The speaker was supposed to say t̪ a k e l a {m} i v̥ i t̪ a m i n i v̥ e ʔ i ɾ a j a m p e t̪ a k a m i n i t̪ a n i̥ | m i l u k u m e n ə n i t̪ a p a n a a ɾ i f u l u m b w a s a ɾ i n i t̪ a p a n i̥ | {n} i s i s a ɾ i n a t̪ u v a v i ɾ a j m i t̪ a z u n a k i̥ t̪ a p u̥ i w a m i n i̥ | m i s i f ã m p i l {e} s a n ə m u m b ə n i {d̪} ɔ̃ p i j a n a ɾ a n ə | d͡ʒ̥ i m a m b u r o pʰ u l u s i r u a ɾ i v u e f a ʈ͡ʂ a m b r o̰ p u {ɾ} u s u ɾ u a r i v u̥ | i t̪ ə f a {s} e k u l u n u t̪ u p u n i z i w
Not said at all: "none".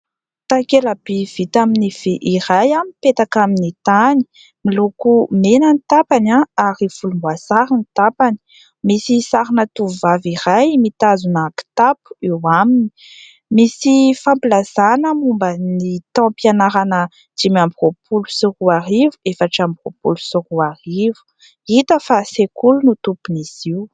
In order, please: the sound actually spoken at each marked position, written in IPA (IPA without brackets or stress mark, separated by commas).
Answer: b, m, a, t̪, l, s